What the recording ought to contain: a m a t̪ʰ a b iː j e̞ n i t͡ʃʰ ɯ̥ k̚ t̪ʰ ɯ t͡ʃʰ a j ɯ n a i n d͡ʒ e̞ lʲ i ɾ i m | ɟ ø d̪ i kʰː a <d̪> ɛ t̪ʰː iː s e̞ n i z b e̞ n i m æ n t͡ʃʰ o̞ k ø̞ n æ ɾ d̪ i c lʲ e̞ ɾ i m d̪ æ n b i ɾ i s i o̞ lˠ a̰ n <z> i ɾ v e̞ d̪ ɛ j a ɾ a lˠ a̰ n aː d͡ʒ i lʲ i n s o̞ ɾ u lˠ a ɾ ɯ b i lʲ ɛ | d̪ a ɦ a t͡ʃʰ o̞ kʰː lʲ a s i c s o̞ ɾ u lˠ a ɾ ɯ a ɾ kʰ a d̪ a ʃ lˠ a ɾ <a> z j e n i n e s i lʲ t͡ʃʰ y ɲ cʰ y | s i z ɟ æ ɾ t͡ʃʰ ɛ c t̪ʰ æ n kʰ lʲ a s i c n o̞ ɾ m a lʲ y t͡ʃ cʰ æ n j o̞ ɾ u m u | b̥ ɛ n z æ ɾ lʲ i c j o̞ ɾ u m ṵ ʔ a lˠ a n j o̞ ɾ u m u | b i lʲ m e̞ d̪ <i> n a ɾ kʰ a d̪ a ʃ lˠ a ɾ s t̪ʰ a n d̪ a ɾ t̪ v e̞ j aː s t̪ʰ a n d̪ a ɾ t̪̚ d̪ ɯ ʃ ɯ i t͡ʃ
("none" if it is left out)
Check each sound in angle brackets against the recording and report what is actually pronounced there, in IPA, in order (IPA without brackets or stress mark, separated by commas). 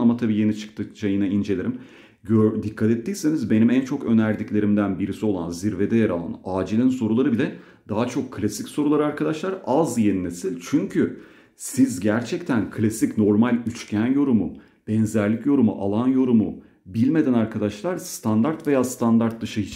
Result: t̪, z, a, æ